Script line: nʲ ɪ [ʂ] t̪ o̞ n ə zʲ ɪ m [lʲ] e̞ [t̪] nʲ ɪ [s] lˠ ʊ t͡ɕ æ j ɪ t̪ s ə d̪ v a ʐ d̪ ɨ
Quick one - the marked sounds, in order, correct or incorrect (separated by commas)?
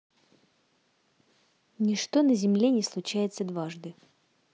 correct, correct, incorrect, correct